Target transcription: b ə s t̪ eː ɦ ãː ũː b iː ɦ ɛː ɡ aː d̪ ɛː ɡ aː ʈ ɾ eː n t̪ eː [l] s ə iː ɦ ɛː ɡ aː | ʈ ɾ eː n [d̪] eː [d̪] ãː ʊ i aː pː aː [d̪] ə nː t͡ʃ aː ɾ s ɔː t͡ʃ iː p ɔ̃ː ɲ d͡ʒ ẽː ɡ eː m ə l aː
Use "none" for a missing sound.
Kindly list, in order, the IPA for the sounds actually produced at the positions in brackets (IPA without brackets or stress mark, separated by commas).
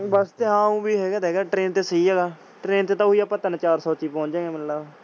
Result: none, t̪, t̪, t̪